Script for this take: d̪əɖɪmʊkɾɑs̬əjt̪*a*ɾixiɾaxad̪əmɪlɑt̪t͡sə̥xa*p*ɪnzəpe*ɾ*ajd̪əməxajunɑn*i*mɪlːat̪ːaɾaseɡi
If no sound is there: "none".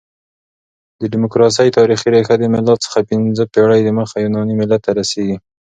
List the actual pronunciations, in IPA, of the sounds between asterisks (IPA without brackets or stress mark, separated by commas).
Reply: ɑ, p, ɽ, i